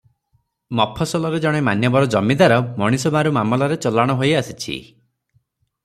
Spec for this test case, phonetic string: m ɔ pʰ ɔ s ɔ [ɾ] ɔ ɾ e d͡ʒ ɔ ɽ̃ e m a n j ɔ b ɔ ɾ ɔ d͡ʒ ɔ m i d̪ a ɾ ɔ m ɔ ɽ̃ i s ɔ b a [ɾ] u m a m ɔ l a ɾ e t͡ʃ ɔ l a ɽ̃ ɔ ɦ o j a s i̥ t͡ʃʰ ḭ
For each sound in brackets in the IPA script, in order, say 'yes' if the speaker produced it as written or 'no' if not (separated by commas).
no, yes